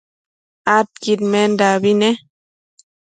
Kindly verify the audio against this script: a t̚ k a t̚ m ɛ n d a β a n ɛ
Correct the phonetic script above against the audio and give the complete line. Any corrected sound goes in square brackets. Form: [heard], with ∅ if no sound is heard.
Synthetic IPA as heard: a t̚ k [i] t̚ m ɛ n d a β [i] n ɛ